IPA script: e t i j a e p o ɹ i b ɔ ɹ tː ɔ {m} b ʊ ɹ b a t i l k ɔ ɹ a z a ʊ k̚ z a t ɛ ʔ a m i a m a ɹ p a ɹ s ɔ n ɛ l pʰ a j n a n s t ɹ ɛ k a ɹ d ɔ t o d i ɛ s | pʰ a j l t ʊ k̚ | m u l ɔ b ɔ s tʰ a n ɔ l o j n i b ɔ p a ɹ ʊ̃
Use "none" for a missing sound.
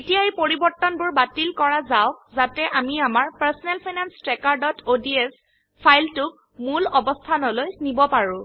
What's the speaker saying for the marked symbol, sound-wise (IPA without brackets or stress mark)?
n